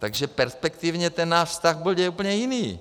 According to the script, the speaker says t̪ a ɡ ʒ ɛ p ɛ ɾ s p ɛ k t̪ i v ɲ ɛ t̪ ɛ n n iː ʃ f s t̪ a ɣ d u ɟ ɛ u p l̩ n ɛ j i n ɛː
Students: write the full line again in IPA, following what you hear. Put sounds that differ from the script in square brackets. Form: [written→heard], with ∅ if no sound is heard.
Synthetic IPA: t̪ a ɡ ʒ ɛ p ɛ ɾ s p ɛ k t̪ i v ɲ ɛ t̪ ɛ n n [iː→aː] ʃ f s t̪ a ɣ [d→b] u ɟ ɛ u p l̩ [n→ɲ] ɛ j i n [ɛː→iː]